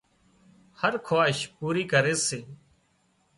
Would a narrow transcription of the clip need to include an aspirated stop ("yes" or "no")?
yes